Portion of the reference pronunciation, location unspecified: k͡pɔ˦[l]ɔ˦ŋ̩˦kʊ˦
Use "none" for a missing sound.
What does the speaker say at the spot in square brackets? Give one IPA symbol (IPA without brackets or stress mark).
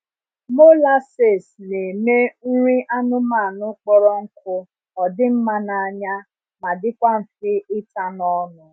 ɾ